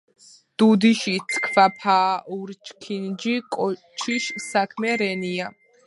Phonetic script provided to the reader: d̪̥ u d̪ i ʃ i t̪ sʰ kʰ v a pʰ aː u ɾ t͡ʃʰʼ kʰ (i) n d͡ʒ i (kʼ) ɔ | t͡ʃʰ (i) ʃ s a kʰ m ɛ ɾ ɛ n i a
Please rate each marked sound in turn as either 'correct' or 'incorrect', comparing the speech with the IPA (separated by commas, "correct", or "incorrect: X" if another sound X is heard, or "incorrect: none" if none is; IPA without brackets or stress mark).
correct, correct, correct